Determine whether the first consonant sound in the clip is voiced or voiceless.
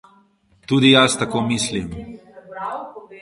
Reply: voiceless